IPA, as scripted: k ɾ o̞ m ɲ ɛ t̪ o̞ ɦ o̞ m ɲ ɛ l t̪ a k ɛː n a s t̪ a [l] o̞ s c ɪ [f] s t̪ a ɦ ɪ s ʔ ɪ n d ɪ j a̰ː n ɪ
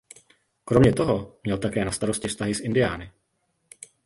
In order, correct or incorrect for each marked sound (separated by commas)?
incorrect, correct